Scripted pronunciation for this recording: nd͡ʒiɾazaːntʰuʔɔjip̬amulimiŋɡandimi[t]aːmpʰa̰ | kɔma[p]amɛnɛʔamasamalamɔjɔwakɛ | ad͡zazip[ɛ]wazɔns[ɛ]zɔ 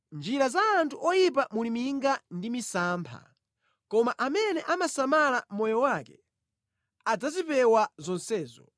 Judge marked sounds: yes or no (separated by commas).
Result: no, no, yes, no